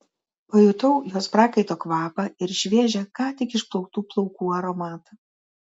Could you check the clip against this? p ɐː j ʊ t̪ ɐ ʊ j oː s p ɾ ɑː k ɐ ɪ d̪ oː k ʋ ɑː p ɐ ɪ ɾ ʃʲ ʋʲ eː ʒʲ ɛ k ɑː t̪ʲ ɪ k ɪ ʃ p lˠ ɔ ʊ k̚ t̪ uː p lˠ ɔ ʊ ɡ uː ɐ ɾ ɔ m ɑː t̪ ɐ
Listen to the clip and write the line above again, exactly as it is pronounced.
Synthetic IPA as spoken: p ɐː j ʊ t̪ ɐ ʊ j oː s p ɾ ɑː k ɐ ɪ t̪ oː k ʋ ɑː p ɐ ɪ ɾ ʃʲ ʋʲ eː ʒʲ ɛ k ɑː t̪ʲ ɪ k ɪ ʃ p lˠ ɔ ʊ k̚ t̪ uː p lˠ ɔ ʊ k uː ɐ ɾ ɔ m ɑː t̪ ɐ